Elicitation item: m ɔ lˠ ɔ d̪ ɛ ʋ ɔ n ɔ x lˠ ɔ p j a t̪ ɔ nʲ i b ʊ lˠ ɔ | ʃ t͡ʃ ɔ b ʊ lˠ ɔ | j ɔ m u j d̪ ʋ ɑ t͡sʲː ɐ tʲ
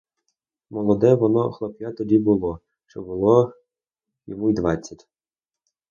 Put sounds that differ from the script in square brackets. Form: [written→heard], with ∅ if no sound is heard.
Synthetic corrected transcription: m ɔ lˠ ɔ d̪ ɛ ʋ ɔ n ɔ x lˠ ɔ p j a t̪ ɔ [nʲ→dʲ] i b ʊ lˠ ɔ | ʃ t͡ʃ ɔ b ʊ lˠ ɔ | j ɔ m u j d̪ ʋ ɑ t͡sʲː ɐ tʲ